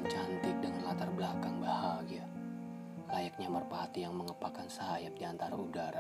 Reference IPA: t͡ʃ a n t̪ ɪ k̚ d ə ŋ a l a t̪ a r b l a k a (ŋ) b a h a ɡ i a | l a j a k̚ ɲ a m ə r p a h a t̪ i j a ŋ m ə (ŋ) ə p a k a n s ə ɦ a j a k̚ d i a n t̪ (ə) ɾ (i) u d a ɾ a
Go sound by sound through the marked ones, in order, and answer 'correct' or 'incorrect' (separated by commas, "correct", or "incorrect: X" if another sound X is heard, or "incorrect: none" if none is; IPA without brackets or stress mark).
correct, correct, incorrect: a, incorrect: a